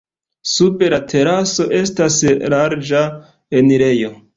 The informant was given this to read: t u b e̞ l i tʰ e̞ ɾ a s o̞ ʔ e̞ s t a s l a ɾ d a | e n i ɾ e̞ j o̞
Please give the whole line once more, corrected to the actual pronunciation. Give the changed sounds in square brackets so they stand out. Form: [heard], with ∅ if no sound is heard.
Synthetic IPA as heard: [s] u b e̞ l [a] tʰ e̞ ɾ a s o̞ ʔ e̞ s t a s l a ɾ [d͡ʒ] a | e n i ɾ e̞ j o̞